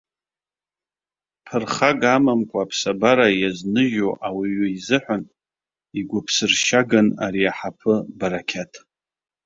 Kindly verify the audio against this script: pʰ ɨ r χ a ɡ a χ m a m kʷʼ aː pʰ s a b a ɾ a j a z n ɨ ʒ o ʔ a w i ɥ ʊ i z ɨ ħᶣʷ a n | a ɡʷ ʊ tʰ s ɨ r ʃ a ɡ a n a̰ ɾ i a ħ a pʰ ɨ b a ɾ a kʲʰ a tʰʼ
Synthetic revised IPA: pʰ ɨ r χ a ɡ a m a m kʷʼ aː pʰ s a b a ɾ a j a z n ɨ ʒ o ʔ a w i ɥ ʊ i z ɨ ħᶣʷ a n | i ɡʷ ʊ pʰ s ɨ r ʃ a ɡ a n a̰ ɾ i a ħ a pʰ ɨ b a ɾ a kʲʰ a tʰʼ